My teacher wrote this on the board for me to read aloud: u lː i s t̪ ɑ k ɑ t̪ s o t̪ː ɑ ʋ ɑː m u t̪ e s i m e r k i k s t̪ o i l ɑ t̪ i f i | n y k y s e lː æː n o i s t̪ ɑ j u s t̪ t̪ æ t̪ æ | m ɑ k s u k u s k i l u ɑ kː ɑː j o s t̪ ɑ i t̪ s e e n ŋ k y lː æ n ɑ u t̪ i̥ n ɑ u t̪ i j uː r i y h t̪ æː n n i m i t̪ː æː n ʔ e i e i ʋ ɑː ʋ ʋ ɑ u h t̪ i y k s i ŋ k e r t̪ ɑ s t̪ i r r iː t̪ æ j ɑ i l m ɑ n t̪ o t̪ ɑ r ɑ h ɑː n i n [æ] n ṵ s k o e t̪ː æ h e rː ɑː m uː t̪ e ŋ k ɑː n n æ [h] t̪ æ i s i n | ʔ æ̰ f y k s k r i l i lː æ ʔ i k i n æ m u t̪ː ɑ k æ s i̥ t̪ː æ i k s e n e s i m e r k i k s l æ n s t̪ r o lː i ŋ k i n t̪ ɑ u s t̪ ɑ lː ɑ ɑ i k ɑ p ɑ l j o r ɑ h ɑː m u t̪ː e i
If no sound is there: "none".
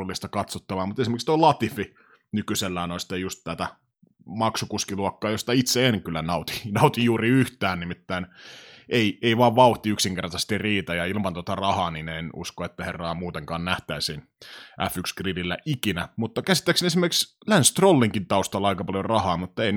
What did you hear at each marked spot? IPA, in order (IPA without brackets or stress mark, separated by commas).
e, h